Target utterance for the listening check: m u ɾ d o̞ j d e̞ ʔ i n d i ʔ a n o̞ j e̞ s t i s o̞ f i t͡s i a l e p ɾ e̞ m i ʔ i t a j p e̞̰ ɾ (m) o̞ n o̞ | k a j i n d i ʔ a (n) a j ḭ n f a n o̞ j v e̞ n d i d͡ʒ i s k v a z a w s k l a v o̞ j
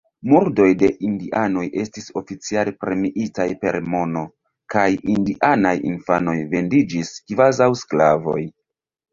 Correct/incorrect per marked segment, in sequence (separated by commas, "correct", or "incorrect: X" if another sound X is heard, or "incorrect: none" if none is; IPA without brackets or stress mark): correct, correct